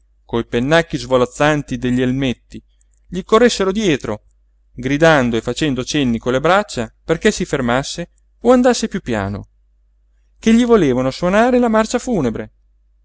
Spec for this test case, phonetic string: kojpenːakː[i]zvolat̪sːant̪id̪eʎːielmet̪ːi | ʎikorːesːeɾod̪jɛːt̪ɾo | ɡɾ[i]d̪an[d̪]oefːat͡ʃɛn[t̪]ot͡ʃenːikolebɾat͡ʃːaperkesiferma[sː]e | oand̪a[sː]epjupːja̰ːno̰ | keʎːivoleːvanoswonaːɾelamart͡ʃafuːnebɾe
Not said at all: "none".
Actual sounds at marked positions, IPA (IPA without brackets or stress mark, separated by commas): i, i, d̪, d̪, sː, sː